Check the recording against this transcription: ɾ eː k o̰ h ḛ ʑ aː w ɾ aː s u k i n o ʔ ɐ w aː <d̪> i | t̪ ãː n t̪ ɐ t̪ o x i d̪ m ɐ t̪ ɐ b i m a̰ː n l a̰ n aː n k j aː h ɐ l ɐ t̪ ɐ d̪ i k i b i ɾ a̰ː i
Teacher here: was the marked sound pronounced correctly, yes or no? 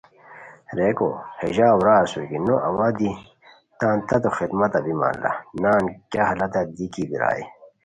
yes